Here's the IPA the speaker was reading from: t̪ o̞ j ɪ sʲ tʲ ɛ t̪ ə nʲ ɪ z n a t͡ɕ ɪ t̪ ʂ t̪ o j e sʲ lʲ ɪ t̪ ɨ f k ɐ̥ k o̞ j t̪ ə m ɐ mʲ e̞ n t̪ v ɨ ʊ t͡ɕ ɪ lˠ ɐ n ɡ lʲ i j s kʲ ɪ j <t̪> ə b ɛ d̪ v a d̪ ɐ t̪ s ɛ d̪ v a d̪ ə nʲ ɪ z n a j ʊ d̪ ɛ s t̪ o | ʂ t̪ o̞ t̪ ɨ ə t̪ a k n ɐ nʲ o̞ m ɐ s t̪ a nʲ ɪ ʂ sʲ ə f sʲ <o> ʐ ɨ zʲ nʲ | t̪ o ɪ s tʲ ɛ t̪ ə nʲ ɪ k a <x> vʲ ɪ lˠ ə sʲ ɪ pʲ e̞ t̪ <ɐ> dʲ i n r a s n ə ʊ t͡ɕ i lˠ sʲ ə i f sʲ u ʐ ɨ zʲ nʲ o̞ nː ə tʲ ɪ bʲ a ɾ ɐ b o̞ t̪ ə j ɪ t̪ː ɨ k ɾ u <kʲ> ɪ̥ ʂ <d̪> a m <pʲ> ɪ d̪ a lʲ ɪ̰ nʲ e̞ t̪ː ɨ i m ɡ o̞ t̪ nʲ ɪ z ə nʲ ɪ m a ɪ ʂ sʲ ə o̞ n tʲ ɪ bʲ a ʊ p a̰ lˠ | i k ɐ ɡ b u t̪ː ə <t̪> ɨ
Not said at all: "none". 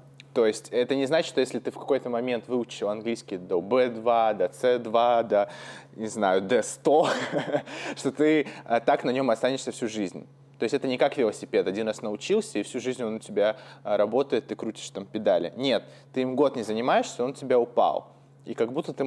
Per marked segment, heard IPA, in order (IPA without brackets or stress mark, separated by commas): d̪, u, k, ɐ, tʲ, t̪, pʲ, t̪